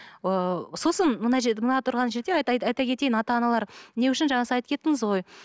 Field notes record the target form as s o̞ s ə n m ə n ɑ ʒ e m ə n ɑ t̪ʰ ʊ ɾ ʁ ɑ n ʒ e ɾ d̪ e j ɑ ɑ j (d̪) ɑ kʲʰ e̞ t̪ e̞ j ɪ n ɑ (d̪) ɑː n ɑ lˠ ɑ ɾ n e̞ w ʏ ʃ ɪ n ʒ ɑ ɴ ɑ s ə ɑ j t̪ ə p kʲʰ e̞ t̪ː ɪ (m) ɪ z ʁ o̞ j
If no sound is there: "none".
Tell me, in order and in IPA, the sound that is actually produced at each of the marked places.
t̪, t̪, ŋ

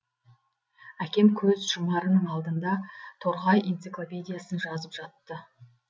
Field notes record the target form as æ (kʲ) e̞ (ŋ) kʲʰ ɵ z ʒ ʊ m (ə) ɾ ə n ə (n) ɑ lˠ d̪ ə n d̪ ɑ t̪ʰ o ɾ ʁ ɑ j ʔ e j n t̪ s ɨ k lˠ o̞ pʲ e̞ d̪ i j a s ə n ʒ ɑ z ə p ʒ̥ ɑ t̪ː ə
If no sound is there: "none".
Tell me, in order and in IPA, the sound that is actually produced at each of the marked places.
kʲ, m, ɑ, ɴ

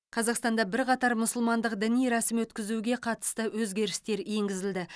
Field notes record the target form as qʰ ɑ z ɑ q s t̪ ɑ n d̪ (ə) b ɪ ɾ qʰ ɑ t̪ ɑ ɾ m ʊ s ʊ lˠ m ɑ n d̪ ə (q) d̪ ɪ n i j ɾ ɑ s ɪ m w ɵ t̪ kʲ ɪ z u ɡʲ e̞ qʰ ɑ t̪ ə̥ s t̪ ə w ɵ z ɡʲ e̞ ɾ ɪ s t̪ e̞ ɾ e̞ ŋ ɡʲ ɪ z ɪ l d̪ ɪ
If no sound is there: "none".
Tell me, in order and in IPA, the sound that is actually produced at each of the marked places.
ɑ, q

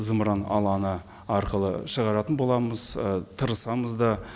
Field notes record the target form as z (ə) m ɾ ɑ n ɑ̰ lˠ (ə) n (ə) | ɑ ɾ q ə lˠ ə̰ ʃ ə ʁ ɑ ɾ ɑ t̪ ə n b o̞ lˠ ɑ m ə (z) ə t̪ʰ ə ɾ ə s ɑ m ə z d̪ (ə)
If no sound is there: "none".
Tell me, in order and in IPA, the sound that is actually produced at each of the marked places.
ə, ɑ, ə, z, ɑ

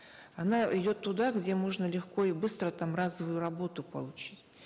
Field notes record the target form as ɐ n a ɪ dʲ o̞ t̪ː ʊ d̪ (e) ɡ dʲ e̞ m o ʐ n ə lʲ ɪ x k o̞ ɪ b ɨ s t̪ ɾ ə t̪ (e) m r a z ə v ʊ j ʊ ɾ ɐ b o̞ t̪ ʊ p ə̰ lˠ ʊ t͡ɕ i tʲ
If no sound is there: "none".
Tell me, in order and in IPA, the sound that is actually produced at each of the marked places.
a, a

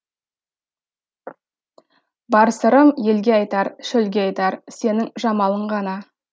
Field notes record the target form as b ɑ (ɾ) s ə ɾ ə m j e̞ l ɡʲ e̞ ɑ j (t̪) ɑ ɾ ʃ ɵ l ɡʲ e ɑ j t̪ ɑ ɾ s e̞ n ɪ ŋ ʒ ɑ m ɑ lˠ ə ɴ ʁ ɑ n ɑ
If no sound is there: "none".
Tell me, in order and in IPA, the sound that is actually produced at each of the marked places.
ɾ, t̪

